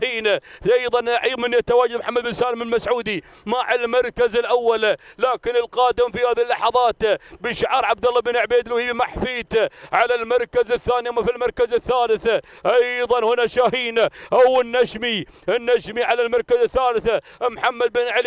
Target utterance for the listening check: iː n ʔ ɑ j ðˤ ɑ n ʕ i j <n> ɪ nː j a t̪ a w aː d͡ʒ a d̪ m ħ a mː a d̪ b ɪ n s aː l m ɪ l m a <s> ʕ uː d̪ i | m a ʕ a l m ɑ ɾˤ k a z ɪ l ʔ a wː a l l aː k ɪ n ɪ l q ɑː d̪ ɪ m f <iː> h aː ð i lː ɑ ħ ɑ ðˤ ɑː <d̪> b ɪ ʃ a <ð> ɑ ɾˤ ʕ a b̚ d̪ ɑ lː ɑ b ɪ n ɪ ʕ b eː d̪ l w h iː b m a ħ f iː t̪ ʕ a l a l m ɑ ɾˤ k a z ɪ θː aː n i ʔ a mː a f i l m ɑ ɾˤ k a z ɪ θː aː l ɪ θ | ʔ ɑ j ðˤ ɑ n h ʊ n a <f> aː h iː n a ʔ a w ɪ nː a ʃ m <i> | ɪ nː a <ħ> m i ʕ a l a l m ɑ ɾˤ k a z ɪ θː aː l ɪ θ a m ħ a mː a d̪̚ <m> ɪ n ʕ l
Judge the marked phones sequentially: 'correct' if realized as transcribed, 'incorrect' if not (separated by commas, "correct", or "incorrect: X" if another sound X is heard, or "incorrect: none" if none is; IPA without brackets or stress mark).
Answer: incorrect: m, correct, incorrect: i, incorrect: t̪, incorrect: ʕ, incorrect: ʃ, correct, incorrect: ʃ, incorrect: b